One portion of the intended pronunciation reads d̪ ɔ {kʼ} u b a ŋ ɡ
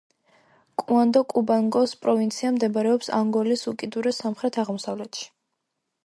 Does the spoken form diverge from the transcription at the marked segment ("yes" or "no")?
no